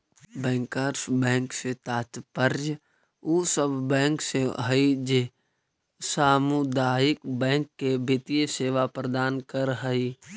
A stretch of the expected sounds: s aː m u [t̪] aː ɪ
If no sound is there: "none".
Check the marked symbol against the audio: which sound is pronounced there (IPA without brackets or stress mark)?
d̪